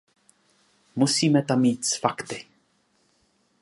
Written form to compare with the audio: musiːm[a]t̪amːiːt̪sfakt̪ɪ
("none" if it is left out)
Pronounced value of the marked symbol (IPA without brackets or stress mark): ɛ